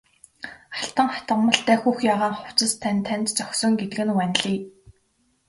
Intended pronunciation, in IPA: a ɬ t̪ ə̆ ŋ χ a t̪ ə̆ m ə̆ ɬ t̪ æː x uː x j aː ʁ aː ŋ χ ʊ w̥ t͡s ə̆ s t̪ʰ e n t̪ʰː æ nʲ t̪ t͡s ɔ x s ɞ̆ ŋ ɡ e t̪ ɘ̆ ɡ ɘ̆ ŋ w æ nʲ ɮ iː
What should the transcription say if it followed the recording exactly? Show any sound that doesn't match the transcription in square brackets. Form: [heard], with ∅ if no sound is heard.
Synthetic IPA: a ɬ t̪ ə̆ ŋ χ a t̪ ə̆ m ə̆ ɬ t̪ æː x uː x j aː ʁ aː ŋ χ ʊ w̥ t͡s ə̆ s t̪ʰ [æ] n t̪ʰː æ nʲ t̪ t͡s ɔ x s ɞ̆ ŋ ɡ e t̪ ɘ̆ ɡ ɘ̆ [n] w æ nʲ ɮ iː